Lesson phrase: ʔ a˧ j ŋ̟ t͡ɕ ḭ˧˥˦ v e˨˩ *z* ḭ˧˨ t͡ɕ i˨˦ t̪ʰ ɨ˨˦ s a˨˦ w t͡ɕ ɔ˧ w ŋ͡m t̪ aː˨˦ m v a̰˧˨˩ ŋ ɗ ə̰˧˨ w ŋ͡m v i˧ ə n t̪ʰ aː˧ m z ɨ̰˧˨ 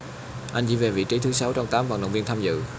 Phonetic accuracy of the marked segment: incorrect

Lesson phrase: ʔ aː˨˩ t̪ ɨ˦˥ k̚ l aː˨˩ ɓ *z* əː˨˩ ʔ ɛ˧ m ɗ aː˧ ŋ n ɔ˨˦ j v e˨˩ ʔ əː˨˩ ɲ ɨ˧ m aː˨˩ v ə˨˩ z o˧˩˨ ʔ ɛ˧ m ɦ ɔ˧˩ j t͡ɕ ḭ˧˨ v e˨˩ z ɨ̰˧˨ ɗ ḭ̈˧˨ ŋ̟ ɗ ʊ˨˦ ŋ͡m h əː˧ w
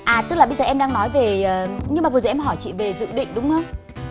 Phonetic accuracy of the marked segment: correct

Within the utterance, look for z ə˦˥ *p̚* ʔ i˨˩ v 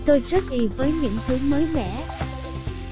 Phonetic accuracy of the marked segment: incorrect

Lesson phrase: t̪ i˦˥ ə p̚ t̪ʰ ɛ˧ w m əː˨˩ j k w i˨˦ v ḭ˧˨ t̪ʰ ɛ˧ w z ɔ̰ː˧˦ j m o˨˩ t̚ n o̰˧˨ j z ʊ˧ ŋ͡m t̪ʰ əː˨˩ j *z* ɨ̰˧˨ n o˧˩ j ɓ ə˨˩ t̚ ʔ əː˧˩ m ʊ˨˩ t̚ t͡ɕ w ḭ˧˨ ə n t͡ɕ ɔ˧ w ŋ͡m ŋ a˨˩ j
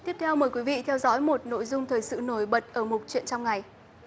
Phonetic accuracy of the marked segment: incorrect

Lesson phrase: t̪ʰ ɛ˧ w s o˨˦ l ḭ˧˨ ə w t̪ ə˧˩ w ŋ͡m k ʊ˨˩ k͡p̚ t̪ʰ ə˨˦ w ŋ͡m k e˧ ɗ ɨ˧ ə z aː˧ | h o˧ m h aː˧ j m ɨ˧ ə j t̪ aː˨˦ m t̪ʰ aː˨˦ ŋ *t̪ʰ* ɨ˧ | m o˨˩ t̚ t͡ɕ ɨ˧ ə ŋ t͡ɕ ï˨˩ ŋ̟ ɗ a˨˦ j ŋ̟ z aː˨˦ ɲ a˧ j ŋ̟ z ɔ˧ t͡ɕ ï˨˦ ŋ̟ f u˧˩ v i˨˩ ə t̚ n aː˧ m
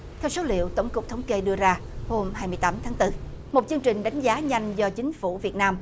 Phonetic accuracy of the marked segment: incorrect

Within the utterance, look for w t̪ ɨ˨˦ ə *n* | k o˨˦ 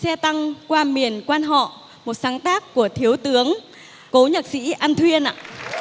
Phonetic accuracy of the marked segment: incorrect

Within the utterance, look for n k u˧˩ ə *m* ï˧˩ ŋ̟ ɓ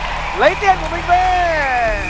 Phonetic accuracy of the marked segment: correct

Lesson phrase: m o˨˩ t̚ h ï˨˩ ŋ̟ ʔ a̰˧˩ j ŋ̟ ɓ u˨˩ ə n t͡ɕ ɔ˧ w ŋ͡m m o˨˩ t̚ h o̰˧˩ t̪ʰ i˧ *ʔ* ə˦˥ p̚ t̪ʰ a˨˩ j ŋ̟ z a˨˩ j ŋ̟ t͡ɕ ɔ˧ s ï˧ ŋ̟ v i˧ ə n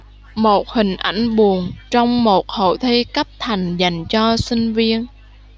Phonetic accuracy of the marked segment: incorrect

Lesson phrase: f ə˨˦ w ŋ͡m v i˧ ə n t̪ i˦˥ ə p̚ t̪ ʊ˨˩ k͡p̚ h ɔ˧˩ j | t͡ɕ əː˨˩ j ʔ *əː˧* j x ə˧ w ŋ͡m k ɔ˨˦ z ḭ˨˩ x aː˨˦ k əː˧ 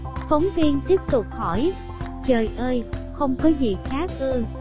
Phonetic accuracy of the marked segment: correct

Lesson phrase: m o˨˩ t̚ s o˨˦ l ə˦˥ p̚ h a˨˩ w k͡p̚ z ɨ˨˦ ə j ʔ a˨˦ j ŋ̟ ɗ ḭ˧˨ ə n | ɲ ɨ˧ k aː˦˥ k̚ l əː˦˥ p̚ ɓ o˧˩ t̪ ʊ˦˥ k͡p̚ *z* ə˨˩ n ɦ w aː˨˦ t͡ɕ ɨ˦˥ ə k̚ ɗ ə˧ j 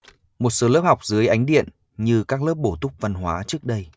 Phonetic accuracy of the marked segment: incorrect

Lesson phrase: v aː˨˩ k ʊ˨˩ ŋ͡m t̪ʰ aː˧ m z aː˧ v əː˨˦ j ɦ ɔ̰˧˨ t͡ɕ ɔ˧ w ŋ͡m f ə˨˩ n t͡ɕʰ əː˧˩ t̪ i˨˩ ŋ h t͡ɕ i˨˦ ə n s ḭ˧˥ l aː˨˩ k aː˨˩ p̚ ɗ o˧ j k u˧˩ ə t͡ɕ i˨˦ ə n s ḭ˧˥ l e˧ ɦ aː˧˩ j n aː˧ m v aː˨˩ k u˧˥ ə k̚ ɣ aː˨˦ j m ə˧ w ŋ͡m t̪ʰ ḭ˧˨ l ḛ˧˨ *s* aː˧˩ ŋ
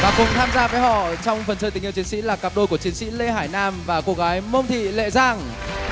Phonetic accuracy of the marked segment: incorrect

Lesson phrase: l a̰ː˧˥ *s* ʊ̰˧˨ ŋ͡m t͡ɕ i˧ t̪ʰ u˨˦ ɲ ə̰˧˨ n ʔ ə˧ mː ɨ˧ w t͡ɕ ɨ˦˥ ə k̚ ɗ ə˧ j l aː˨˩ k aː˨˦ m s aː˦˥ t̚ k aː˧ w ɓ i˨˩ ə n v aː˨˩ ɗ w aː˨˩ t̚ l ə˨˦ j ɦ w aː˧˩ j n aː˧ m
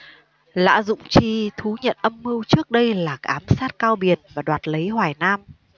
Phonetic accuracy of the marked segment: incorrect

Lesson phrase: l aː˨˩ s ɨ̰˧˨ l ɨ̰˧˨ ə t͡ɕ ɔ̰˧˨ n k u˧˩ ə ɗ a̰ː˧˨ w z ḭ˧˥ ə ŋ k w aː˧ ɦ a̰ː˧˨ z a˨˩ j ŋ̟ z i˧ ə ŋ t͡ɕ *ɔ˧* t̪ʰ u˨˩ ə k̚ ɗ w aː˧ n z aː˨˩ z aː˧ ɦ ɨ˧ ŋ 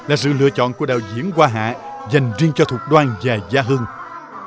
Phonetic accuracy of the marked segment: correct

